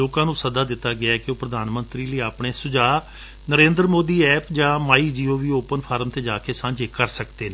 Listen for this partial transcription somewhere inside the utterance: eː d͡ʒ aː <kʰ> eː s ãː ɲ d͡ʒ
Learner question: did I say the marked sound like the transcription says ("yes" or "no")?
no